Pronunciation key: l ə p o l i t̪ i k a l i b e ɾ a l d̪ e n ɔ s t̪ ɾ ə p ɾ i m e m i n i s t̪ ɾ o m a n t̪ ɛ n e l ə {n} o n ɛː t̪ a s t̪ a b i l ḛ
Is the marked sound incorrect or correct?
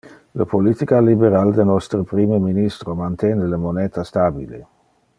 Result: incorrect